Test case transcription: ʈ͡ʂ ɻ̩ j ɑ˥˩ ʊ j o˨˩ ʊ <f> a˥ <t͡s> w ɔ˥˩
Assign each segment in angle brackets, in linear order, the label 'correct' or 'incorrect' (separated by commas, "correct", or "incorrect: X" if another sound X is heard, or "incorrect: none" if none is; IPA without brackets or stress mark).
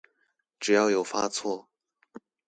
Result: correct, incorrect: t͡sʰ